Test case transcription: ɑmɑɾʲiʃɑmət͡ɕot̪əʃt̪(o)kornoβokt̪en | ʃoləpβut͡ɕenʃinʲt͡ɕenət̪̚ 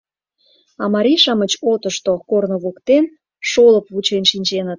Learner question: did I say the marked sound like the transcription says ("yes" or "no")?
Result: yes